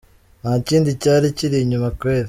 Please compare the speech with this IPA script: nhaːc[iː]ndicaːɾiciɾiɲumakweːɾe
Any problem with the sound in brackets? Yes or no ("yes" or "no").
no